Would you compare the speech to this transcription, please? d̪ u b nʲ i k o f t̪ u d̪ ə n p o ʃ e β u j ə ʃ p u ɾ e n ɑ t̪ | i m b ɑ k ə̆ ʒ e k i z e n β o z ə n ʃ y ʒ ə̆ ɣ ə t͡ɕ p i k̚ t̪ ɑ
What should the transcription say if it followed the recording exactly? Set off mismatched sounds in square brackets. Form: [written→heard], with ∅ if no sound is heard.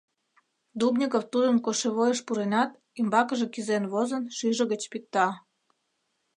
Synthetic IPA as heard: d̪ u b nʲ i k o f t̪ u d̪ ə n [p→k] o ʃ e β [u→o] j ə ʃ p u ɾ e n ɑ t̪ | i m b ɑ k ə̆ ʒ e k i z e n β o z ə n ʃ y ʒ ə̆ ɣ ə t͡ɕ p i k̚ t̪ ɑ